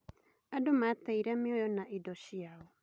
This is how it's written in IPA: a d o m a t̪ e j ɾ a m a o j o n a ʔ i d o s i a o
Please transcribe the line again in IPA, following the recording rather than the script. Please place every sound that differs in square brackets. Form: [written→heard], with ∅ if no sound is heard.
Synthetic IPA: a d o m a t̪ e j ɾ a m [a→i] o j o n a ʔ i d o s i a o

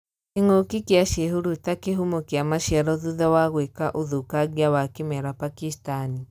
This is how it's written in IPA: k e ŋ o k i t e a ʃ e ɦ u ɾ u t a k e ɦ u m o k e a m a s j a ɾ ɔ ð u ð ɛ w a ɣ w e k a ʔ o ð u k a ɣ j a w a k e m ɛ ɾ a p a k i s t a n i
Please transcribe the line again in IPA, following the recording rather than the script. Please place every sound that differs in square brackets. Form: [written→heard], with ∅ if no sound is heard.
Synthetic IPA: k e ŋ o k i [t→k] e a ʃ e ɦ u ɾ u t a k e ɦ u m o k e a m a [s→ʃ] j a ɾ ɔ ð u ð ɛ w a ɣ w e k a ʔ o ð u k a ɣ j a w a k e m ɛ ɾ a p a k i s t a n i

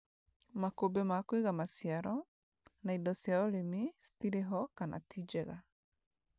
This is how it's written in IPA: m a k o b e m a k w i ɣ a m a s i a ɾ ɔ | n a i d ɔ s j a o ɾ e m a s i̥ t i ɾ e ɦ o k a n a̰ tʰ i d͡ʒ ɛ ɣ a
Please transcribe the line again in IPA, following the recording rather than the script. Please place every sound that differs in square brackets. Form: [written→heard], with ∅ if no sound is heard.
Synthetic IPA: m a k o b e m a k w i ɣ a m a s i a ɾ ɔ | n a i d ɔ s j a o ɾ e m [a→i] s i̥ t i ɾ e ɦ [o→ɔ] k a n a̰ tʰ i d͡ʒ ɛ ɣ a

